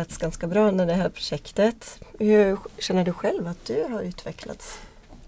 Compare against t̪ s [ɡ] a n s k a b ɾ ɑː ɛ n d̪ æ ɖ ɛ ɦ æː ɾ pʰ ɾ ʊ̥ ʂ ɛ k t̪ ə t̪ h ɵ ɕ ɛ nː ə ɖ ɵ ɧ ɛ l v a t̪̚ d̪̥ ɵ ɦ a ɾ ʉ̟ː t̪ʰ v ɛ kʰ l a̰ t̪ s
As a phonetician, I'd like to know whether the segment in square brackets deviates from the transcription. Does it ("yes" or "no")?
no